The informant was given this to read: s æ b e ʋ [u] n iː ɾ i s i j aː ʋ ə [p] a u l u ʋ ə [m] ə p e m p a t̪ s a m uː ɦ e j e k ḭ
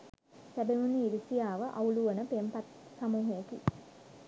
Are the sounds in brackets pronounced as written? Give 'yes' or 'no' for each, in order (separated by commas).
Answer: yes, no, no